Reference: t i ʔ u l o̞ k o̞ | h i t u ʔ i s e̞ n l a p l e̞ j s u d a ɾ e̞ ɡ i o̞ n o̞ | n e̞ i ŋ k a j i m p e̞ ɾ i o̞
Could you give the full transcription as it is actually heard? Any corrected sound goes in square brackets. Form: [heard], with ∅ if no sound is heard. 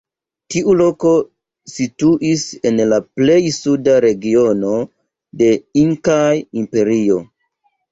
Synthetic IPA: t i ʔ u l o̞ k o̞ | [s] i t u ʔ i s e̞ n l a p l e̞ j s u d a ɾ e̞ ɡ i o̞ n o̞ | [d] e̞ i ŋ k a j i m p e̞ ɾ i o̞